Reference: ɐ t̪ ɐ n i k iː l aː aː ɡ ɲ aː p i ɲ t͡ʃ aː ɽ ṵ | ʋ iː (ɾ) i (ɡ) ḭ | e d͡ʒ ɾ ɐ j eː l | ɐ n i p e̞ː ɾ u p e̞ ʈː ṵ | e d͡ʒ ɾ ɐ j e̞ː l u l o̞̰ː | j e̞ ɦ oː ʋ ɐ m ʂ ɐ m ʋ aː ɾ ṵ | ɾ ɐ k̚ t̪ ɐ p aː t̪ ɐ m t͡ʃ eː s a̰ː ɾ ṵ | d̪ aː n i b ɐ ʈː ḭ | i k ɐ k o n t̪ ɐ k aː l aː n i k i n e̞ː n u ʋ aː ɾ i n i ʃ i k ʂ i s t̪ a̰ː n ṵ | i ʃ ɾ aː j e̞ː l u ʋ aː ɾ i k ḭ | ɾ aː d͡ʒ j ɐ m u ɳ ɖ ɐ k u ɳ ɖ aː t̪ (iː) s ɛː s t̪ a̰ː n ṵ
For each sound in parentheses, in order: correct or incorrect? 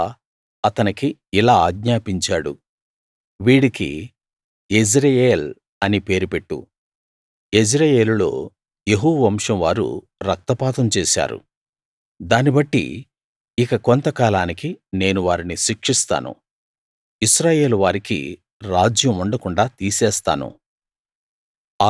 incorrect, incorrect, correct

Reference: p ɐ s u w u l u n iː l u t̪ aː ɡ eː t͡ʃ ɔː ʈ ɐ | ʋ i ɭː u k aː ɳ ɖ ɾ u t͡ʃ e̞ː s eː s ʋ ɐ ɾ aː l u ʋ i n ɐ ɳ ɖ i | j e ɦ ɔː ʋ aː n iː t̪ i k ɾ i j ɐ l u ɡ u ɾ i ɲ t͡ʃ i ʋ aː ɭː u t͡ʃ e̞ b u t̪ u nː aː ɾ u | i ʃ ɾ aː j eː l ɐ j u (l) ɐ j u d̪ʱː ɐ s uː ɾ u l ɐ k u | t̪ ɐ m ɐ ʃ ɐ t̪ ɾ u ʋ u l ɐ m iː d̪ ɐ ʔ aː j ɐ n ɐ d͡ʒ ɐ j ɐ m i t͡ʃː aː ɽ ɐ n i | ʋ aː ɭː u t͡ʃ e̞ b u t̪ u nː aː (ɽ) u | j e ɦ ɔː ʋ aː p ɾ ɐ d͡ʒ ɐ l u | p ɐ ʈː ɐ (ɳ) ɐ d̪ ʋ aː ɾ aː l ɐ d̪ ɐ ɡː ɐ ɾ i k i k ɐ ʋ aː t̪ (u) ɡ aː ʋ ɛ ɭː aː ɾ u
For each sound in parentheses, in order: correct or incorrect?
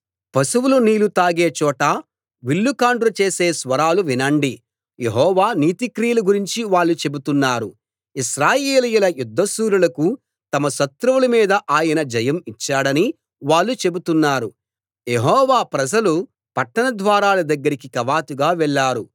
correct, incorrect, incorrect, correct

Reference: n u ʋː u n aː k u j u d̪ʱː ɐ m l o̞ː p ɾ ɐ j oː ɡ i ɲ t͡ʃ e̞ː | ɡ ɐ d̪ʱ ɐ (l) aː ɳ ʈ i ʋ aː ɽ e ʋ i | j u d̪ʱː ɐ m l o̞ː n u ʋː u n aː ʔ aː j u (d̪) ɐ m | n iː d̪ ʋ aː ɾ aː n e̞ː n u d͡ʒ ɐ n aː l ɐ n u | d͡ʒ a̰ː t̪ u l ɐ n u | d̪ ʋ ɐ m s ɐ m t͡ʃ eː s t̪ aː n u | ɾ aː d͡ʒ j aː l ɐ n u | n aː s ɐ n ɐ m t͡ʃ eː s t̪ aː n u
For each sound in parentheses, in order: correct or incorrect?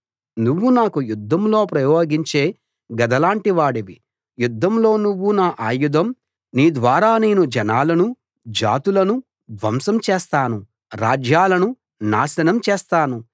correct, correct

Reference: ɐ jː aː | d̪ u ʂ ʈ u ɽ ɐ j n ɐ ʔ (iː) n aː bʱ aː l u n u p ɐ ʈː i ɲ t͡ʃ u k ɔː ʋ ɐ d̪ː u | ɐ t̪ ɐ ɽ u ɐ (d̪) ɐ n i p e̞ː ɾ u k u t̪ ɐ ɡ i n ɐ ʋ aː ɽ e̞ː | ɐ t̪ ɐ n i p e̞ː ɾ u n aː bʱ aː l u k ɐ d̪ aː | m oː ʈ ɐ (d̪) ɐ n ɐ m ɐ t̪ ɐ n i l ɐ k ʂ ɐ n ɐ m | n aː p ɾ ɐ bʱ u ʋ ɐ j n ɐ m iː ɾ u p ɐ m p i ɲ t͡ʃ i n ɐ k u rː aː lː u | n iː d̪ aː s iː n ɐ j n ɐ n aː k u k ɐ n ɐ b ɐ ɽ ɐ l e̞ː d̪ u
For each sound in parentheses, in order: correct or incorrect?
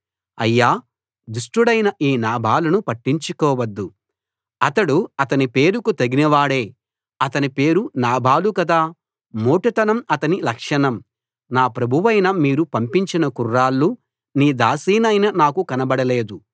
correct, incorrect, incorrect

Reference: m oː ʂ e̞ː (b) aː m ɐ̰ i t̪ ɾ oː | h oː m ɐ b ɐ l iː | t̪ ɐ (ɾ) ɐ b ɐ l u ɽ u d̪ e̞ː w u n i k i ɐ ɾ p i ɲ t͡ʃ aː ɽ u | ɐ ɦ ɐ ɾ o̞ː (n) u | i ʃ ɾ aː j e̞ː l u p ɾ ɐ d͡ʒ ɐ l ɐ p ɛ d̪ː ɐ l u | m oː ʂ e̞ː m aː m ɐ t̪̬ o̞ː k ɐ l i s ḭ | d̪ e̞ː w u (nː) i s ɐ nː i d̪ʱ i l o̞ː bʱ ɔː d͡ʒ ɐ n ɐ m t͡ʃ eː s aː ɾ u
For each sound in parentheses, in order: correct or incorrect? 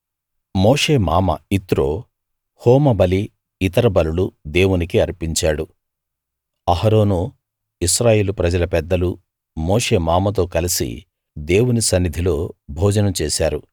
incorrect, correct, correct, incorrect

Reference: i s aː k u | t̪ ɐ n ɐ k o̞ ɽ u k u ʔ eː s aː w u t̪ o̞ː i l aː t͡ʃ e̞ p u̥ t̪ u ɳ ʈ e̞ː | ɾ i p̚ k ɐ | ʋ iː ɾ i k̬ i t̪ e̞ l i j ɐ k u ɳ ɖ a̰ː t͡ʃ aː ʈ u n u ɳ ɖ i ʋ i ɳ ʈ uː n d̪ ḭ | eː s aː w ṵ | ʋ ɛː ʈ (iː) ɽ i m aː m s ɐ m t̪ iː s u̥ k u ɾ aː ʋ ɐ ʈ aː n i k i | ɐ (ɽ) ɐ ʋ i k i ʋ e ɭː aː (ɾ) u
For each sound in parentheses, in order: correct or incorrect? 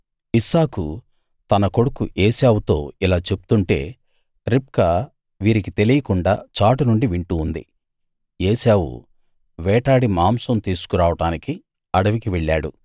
incorrect, correct, incorrect

